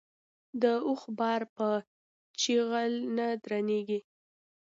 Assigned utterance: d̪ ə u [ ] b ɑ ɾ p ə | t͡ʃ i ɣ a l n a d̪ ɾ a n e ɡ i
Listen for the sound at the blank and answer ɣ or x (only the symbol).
x